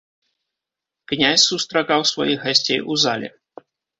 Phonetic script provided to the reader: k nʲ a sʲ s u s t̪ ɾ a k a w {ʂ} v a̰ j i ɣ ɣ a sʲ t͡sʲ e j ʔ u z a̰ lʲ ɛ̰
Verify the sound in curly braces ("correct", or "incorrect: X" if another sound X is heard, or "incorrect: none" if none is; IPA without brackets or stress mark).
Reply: incorrect: s